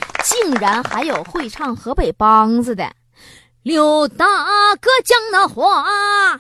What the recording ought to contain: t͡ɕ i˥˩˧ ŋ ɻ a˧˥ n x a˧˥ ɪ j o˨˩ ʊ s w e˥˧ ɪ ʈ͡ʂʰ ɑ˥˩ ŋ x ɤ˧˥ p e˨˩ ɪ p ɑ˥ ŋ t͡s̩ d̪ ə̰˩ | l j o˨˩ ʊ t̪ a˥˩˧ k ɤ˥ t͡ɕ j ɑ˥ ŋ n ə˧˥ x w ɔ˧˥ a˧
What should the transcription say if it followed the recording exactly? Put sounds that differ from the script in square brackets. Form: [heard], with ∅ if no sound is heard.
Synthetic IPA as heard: t͡ɕ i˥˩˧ ŋ ɻ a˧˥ n x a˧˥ ɪ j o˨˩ ʊ [x] w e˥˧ ɪ ʈ͡ʂʰ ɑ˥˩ ŋ x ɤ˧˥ p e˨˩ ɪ p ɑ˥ ŋ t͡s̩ d̪ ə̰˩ | l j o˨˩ ʊ t̪ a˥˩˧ k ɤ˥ t͡ɕ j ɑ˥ ŋ n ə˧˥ x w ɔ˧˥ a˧